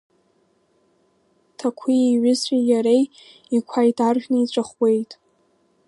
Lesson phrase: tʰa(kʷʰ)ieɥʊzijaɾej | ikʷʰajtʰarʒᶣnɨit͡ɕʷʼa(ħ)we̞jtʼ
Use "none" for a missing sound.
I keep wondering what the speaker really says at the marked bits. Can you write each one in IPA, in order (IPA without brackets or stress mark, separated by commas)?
kʷʰ, χ